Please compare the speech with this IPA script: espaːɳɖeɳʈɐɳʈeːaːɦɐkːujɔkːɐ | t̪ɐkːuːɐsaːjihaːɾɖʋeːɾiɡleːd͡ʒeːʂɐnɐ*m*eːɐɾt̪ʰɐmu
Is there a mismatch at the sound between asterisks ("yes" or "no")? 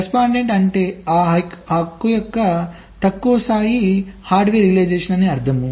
yes